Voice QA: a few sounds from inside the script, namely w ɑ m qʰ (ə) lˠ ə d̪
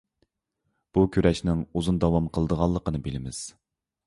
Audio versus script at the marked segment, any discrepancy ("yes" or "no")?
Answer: no